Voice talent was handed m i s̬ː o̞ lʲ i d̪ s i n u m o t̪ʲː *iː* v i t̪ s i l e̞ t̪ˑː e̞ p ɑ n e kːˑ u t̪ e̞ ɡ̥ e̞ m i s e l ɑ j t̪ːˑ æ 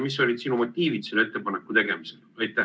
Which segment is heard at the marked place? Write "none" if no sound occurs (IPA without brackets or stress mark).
iː